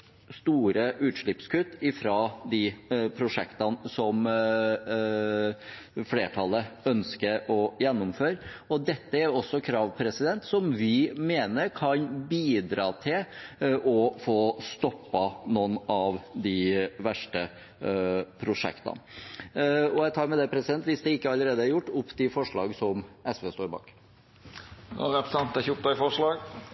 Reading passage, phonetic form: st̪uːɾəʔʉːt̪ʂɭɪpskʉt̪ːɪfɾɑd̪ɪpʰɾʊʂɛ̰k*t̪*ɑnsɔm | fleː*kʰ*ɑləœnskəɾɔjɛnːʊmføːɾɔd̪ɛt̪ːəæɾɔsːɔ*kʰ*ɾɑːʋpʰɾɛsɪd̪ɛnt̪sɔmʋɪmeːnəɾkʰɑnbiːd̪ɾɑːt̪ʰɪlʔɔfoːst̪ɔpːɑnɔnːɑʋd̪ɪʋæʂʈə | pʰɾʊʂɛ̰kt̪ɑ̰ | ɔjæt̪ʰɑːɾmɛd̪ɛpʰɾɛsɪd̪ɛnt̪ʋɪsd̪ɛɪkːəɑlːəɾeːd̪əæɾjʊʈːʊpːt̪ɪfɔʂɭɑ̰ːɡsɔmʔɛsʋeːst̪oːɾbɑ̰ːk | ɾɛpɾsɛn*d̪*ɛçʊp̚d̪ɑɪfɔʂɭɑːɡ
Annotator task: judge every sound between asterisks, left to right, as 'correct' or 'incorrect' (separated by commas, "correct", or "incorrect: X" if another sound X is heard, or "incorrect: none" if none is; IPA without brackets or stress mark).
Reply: correct, incorrect: ʈʰ, correct, incorrect: t̪